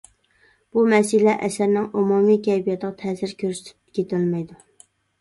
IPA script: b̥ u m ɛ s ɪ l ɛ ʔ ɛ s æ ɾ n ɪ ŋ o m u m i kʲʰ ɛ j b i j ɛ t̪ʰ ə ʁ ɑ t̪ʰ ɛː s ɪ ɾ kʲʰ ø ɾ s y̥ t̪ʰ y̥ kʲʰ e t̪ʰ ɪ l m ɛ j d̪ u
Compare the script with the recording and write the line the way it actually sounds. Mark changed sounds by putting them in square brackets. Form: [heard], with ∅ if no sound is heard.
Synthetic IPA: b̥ u m ɛ s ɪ l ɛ ʔ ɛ s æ ɾ n ɪ ŋ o m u m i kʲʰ ɛ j b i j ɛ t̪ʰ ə ʁ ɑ t̪ʰ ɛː s ɪ ɾ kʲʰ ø ɾ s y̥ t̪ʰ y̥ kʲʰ e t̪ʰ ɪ l m ɛ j d̪ u